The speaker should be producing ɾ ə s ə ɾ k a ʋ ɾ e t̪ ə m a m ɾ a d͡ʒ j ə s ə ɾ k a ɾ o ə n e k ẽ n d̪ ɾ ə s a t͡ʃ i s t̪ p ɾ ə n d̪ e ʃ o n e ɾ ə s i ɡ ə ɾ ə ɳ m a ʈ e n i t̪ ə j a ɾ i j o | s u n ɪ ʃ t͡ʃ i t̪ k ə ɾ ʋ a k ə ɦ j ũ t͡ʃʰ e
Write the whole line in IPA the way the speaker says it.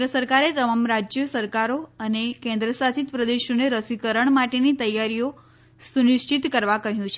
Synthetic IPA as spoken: ɾ ə s ə ɾ k a ɾ e t̪ ə m a m ɾ a d͡ʒ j ə s ə ɾ k a ɾ o ə n e k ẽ n d̪ ɾ ə s a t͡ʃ i t̪ p ɾ ə d̪ e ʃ o n e ɾ ə s i k ə ɾ ə ɳ m a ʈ e n i t̪ ə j a ɾ i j o | s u n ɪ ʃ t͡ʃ i t̪ k ə ɾ ʋ a k ə ɦ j ũ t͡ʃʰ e